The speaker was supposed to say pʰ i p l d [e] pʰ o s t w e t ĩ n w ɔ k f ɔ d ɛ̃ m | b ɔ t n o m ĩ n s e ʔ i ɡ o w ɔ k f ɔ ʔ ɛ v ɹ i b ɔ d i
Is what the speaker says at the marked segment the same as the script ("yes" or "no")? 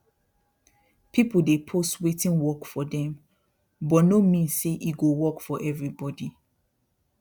yes